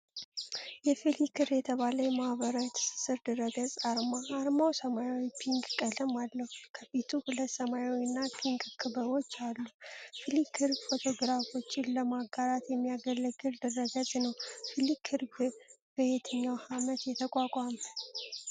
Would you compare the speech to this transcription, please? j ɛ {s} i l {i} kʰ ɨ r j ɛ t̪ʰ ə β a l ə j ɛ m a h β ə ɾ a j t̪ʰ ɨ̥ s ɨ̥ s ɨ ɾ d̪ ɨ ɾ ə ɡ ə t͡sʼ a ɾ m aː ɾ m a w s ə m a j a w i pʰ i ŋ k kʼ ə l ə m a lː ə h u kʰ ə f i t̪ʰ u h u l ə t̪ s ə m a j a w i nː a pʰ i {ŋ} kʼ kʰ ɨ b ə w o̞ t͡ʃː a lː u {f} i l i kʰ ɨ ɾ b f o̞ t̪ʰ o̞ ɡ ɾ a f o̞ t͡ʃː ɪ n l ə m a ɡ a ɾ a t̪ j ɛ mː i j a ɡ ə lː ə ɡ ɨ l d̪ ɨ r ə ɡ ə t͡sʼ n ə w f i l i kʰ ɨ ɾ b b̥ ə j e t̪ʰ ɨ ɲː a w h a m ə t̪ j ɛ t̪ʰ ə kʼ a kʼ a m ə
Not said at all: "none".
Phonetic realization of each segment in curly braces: f, i, ŋ, f

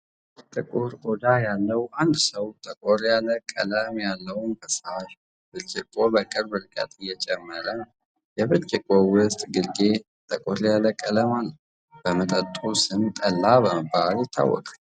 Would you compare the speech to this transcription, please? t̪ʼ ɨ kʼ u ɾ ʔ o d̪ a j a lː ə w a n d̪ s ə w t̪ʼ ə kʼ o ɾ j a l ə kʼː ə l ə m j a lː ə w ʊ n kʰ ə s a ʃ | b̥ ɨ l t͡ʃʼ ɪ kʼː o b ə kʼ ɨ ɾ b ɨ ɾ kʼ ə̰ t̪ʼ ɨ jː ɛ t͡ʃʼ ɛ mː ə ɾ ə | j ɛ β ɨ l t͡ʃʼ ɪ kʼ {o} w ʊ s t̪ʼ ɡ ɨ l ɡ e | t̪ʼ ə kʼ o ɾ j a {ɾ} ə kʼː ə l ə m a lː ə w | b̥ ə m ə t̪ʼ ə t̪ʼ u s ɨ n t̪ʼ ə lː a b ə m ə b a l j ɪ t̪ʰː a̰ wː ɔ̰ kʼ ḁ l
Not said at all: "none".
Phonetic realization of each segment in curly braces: o, l

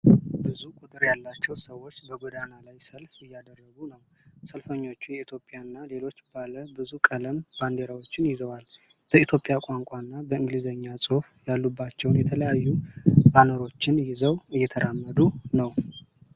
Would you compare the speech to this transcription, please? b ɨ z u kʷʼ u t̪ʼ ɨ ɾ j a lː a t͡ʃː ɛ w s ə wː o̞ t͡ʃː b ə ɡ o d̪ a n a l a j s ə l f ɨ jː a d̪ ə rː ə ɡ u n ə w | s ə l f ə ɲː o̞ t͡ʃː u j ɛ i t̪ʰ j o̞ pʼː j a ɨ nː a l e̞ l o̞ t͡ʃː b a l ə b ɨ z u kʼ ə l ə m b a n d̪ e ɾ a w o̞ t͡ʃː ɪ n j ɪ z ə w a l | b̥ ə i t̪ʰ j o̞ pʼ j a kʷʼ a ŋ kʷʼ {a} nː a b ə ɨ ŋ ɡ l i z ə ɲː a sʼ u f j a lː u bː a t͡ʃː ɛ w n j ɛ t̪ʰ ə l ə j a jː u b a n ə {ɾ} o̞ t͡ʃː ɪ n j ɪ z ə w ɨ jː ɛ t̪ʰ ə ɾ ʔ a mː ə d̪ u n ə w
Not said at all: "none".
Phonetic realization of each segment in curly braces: a, ɾ

